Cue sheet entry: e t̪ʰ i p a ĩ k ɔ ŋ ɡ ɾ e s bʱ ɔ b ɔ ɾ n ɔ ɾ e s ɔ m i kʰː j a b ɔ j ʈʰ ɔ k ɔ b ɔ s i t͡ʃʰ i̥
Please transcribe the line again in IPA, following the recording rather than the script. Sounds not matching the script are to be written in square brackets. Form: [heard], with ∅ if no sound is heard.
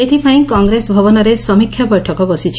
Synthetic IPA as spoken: e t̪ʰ i p a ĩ k ɔ ŋ ɡ ɾ e s bʱ ɔ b ɔ [∅] n ɔ ɾ e s ɔ m i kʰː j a b ɔ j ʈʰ ɔ k ɔ b ɔ s i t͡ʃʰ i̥